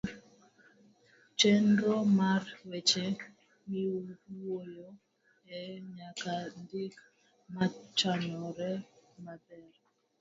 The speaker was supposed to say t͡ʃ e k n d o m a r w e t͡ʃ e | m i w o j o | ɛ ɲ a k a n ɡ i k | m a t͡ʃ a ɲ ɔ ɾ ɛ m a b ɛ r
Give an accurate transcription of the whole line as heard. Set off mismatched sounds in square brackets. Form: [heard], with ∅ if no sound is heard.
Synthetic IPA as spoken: t͡ʃ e [∅] n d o m a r w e t͡ʃ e | m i w o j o | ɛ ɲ a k a n [d] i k | m a t͡ʃ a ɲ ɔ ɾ ɛ m a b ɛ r